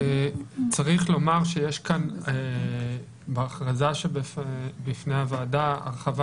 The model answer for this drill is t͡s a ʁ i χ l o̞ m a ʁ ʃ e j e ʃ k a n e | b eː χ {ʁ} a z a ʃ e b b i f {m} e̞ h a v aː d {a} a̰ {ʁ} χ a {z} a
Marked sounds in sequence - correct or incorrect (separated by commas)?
correct, incorrect, correct, correct, incorrect